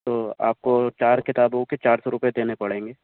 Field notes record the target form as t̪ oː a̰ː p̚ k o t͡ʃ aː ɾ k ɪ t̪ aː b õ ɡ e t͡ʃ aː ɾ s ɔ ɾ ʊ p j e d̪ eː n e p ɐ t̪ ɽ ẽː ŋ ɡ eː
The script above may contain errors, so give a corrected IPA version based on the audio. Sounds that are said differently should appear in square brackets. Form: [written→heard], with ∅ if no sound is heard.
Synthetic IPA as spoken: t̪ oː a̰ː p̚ k o t͡ʃ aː ɾ k ɪ t̪ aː b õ [ɡ→k] e t͡ʃ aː ɾ s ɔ ɾ ʊ p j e d̪ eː n e p ɐ [t̪→∅] ɽ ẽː ŋ ɡ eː